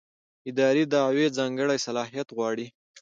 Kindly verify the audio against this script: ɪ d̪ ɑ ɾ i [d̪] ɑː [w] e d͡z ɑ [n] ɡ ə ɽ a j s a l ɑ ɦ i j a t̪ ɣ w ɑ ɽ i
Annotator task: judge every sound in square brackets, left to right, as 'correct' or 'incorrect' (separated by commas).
correct, correct, incorrect